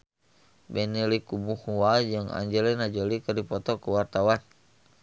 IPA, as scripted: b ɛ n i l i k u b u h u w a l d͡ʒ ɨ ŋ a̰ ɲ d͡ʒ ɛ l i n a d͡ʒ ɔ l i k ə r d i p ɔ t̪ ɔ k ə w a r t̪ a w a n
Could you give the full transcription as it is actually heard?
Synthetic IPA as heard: b ɛ n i l i k u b u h u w a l d͡ʒ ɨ ŋ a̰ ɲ d͡ʒ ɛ l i n a d͡ʒ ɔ l i k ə r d i p ɔ t̪ ɔ k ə w a r t̪ a w a n